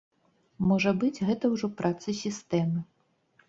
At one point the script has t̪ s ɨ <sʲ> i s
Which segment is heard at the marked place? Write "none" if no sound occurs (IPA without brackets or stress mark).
sʲ